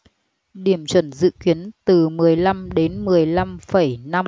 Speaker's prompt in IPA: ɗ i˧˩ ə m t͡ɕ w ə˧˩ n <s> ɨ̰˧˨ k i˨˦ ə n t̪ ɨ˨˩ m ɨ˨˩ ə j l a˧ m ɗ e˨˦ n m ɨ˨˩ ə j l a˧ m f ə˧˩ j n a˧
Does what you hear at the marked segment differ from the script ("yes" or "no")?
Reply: yes